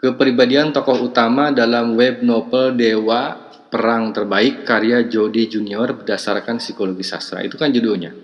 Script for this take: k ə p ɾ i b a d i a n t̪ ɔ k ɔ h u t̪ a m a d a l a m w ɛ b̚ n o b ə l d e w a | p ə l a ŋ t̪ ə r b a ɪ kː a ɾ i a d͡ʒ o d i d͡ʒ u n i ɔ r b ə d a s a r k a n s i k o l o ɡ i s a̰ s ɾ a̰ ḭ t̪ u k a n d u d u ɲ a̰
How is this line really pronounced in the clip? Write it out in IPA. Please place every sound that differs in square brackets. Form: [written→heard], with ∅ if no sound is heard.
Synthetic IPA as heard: k ə p ɾ i b a d i a n t̪ ɔ k ɔ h u t̪ a m a d a l a m w ɛ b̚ n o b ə l d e w a | p ə [l→ɾ] a ŋ t̪ ə r b a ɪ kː a ɾ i a d͡ʒ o d i d͡ʒ u n i ɔ r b ə d a s a r k a n s i k o l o ɡ i s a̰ s ɾ a̰ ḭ t̪ u k a n [d→d͡ʒ] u d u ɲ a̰